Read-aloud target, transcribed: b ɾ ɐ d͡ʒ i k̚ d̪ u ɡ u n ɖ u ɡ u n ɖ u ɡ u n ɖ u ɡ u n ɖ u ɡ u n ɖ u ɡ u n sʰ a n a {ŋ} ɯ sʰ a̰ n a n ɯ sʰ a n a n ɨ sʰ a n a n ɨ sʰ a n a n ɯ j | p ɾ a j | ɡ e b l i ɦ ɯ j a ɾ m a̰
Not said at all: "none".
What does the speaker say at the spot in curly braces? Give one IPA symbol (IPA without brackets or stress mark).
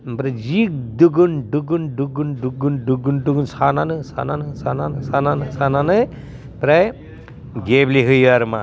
n